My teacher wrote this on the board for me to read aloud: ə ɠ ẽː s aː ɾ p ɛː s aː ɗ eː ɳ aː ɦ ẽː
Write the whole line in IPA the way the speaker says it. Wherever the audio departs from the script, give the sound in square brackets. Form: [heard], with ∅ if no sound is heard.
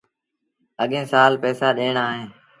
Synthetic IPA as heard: ə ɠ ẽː s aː [l] p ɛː s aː ɗ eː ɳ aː ɦ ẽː